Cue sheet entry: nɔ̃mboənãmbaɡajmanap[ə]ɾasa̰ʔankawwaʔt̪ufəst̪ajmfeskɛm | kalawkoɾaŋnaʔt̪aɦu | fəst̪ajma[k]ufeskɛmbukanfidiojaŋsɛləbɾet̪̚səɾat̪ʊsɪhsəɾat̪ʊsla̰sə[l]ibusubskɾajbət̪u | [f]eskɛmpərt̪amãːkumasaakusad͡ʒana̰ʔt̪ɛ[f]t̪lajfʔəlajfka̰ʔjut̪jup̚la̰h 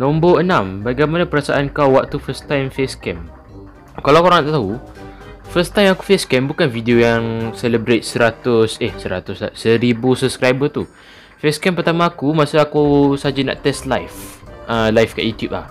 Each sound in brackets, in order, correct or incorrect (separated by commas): correct, correct, incorrect, correct, incorrect